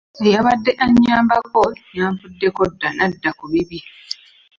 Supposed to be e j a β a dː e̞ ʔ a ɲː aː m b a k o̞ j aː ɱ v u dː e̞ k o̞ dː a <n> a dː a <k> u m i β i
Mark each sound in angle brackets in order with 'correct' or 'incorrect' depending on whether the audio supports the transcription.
correct, correct

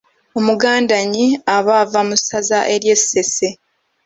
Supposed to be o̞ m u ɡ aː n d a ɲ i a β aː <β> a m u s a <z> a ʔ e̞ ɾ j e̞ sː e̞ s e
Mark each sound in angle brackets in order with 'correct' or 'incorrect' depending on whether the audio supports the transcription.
incorrect: v, correct

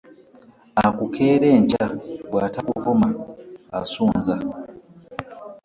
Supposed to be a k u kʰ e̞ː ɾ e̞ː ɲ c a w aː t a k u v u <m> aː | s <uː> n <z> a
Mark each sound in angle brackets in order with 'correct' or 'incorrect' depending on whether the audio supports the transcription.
correct, correct, correct

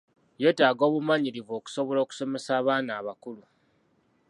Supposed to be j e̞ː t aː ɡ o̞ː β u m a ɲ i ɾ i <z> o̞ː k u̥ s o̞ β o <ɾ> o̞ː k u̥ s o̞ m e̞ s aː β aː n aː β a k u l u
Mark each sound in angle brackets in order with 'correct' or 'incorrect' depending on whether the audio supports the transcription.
incorrect: v, incorrect: l

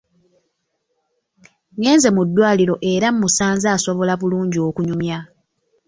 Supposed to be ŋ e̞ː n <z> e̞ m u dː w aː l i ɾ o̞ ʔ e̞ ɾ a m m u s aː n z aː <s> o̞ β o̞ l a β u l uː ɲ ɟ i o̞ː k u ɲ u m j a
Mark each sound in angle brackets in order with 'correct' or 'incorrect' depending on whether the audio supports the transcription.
correct, correct

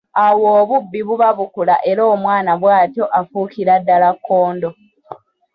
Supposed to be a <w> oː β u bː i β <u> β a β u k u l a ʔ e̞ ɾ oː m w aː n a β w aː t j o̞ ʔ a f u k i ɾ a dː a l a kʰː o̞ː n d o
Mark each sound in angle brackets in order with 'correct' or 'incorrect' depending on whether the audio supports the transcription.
correct, correct

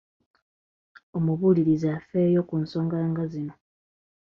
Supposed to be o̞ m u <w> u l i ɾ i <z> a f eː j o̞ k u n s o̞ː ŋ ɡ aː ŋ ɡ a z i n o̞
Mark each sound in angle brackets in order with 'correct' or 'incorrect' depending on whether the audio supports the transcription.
incorrect: β, correct

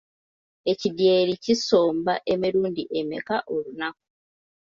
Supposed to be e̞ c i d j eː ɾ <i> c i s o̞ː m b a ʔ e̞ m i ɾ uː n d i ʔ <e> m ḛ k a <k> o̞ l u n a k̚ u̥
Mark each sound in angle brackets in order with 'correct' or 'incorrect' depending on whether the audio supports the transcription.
correct, correct, incorrect: ʔ

